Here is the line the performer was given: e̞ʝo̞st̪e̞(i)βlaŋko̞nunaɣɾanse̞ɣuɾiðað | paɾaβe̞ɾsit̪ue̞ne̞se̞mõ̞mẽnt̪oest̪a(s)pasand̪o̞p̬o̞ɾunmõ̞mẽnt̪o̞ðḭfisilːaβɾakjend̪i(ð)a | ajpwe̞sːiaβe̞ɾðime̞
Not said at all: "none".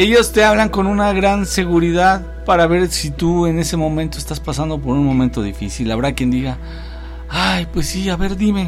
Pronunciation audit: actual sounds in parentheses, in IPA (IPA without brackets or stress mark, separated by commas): a, s, ɣ